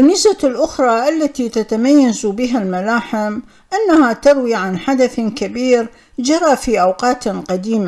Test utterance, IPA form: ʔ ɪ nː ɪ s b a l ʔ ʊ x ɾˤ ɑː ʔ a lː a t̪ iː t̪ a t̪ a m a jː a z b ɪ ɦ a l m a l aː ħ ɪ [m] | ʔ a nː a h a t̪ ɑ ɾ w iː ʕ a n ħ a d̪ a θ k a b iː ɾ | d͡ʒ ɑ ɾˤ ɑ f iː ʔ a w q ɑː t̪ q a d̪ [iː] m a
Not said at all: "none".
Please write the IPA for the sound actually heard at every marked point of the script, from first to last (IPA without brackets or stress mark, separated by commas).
m, iː